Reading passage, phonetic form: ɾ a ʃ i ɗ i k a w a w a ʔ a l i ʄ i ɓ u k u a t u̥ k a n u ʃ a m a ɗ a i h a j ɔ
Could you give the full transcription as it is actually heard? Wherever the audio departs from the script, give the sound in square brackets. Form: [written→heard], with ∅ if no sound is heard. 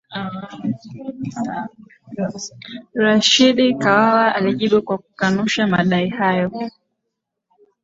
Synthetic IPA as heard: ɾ a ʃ i ɗ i k a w a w a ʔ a l i ʄ i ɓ u k [u→w] a [t→k] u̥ k a n u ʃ a m a ɗ a i h a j ɔ